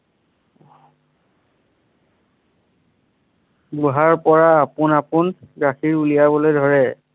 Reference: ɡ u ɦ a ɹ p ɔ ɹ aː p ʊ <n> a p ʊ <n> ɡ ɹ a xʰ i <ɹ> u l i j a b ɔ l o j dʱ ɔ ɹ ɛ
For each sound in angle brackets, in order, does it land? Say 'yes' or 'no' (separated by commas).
yes, yes, yes